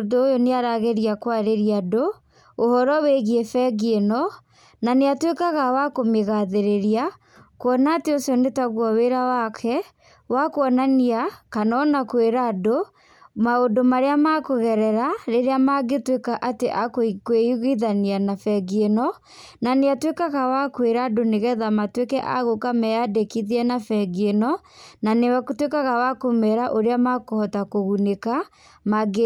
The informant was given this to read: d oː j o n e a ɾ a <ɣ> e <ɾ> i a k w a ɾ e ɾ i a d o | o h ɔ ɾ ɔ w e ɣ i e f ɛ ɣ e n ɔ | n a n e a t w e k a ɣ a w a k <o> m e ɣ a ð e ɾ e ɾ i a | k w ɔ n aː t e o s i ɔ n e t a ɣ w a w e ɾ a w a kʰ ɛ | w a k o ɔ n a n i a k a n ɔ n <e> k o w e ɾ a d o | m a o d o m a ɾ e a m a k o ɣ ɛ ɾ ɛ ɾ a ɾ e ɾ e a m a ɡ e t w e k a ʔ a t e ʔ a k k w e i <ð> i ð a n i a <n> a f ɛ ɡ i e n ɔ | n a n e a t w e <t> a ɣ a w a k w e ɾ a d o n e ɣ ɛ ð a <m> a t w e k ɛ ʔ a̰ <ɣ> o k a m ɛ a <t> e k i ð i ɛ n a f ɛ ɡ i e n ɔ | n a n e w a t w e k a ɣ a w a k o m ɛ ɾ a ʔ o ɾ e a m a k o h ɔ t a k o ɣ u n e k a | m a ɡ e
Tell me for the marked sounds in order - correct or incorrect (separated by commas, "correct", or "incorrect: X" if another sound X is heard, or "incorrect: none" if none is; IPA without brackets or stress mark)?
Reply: correct, correct, correct, incorrect: a, incorrect: ɣ, correct, incorrect: k, correct, correct, incorrect: d